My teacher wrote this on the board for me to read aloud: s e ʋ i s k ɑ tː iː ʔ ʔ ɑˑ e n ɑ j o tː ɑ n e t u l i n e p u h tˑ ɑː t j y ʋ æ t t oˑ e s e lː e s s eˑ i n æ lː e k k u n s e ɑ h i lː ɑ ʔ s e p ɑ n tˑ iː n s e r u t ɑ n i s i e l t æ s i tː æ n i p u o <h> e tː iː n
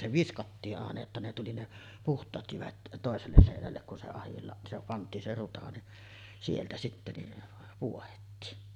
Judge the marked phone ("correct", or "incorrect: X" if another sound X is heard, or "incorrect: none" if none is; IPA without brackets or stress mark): correct